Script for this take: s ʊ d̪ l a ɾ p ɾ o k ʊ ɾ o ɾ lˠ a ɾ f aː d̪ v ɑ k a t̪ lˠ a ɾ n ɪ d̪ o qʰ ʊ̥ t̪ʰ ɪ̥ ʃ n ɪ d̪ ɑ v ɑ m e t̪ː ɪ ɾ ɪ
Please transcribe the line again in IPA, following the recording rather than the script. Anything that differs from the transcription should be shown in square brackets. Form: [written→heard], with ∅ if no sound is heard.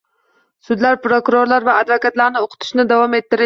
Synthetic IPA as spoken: s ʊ d̪ l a ɾ p ɾ o k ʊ ɾ o ɾ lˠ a ɾ [f→v] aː d̪ v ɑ k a t̪ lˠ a ɾ n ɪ [d̪→∅] o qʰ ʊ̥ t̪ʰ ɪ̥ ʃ n ɪ d̪ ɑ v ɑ m e t̪ː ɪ ɾ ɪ